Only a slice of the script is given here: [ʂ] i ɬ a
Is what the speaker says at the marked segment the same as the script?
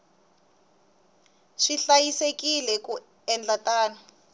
yes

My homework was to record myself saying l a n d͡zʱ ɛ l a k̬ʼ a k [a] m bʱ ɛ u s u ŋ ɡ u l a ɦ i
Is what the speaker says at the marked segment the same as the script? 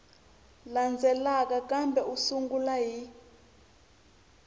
yes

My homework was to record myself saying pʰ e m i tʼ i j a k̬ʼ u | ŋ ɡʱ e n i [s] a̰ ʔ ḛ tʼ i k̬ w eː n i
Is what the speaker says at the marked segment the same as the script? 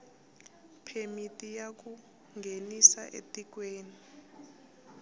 yes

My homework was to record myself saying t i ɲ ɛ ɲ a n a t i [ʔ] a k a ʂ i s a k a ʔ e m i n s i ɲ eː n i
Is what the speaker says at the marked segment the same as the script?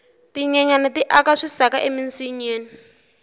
yes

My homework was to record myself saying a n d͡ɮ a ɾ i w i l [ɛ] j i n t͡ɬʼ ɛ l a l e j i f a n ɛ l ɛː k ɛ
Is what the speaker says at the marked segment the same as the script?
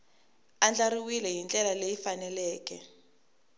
yes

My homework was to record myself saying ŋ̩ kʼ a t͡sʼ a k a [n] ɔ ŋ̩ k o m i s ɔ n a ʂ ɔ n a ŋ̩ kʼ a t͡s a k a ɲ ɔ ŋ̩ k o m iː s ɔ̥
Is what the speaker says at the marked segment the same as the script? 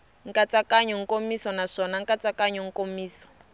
no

